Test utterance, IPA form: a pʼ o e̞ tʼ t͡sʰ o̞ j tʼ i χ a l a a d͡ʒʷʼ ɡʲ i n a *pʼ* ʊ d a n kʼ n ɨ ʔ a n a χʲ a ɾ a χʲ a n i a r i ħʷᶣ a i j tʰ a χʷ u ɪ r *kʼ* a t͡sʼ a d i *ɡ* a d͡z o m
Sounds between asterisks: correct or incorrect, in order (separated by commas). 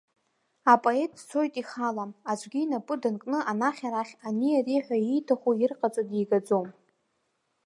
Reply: correct, incorrect, correct